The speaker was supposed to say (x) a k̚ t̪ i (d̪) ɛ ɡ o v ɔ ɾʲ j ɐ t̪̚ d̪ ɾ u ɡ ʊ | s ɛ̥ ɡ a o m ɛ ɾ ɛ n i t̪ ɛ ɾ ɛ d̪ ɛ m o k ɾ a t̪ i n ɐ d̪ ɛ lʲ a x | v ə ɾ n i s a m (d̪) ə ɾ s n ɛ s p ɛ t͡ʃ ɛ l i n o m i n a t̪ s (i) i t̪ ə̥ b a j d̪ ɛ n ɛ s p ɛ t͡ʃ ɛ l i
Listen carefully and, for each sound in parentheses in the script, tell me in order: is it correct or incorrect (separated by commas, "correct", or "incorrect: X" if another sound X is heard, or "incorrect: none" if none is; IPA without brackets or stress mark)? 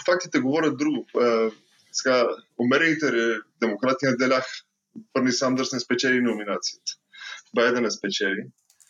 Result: incorrect: f, incorrect: t̪, correct, correct